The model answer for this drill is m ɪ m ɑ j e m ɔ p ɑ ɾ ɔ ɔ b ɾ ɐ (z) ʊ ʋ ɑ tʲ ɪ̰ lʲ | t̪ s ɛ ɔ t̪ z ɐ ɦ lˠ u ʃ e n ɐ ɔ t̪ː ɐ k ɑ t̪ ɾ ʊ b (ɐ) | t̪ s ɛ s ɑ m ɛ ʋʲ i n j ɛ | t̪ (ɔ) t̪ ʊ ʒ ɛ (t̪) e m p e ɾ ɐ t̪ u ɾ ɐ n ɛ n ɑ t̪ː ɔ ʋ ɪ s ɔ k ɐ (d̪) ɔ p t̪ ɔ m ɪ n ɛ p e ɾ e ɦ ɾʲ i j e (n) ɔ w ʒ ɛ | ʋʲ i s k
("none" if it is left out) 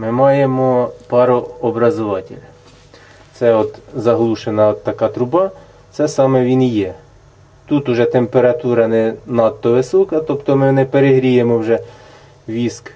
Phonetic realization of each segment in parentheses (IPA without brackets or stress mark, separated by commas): z, ɑ, u, t̪, t̪, m